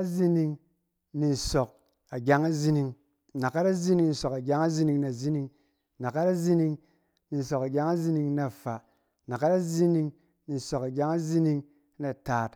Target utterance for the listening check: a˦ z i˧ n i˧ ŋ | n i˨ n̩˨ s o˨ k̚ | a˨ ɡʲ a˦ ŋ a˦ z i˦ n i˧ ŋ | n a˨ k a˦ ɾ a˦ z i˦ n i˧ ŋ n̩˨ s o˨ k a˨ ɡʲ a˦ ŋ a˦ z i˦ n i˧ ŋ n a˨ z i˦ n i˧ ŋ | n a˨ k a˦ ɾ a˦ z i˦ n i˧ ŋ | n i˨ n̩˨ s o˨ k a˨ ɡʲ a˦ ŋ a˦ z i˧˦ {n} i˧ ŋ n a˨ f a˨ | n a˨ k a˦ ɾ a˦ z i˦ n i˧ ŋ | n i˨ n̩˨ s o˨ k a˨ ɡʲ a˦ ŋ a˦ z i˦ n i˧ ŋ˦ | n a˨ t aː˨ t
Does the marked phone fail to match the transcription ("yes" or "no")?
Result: no